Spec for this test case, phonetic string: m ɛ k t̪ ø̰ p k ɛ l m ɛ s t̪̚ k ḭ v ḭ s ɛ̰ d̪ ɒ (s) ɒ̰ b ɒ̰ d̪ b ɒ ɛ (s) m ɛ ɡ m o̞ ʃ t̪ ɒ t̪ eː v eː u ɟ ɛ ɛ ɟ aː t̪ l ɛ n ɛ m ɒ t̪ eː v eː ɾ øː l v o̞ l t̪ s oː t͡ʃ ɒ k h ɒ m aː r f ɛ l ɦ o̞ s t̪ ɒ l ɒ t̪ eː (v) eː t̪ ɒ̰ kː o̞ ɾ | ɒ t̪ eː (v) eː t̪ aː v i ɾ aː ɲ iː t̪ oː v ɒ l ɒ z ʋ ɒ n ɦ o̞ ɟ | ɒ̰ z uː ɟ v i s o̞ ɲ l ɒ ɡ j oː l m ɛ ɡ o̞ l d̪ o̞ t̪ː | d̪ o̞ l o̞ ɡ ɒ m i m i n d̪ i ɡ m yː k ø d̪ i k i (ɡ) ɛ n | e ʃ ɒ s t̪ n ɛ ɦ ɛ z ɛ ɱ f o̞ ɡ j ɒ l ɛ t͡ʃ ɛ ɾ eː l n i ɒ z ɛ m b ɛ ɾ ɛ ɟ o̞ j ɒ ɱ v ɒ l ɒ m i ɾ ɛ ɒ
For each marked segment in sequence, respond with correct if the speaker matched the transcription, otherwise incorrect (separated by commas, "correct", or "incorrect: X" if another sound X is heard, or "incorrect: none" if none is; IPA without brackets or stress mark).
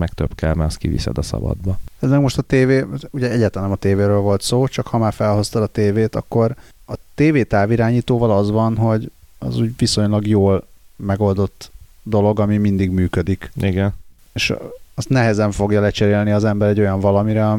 correct, incorrect: z, correct, correct, correct